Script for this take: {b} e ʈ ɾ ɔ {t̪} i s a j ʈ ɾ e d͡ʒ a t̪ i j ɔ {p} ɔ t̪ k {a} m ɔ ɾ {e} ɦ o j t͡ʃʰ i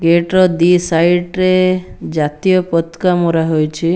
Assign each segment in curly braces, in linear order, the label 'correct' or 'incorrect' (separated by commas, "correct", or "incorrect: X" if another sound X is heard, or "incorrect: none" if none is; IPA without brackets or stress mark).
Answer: incorrect: ɡ, incorrect: d̪, correct, correct, incorrect: a